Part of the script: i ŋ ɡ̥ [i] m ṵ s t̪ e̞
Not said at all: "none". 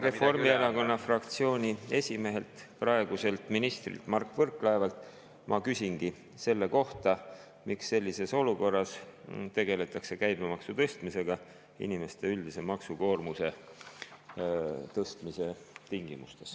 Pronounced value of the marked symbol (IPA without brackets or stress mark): i